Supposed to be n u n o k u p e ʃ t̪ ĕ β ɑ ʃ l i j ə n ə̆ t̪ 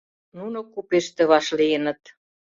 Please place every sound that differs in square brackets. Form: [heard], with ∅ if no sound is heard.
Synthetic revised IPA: n u n o k u p e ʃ t̪ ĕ β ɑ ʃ l i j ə n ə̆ t̪